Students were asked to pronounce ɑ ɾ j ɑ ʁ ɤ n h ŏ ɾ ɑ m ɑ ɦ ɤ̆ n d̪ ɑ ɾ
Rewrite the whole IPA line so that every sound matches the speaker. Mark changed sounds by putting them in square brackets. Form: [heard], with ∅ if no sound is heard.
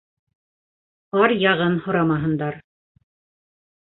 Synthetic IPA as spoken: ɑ ɾ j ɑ ʁ ɤ n h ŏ ɾ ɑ m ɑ ɦ ɤ̆ n d̪ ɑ ɾ